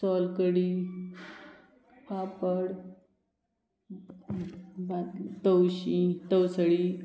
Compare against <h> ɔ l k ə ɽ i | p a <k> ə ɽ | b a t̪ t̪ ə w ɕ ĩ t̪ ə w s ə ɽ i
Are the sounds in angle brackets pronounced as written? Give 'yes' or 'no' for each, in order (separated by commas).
no, no